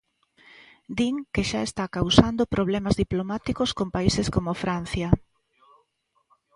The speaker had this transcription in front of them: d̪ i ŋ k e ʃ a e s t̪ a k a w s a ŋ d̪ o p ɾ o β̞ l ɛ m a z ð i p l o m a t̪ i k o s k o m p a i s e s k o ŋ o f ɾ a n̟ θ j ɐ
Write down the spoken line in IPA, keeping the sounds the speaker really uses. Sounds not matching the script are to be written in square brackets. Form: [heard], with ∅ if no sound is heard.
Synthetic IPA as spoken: d̪ i ŋ k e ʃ a e s t̪ a k a w s a [n] d̪ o p ɾ o β̞ l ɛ m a z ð i p l o m a t̪ i k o s k o m p a i s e s k o [m] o f ɾ a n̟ θ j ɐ